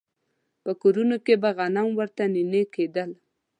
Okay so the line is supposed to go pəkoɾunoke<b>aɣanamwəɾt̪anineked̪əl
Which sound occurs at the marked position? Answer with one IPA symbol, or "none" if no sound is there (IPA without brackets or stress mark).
b